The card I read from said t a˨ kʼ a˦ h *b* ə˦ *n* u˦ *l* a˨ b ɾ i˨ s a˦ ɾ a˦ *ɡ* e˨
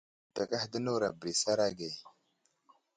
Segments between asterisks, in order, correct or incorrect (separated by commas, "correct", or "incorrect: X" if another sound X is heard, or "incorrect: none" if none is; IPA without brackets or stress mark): incorrect: d, correct, incorrect: ɾ, correct